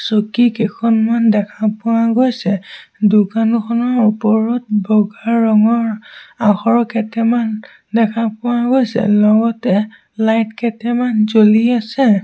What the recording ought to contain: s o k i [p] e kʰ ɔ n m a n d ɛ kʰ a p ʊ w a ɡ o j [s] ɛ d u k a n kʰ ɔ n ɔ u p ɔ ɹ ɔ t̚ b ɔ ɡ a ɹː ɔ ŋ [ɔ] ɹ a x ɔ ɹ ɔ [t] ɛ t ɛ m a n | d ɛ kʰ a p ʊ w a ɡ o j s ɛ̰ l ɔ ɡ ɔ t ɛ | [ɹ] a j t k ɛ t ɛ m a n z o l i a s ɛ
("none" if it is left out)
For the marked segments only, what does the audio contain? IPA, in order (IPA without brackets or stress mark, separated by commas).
k, s, ɔ, k, l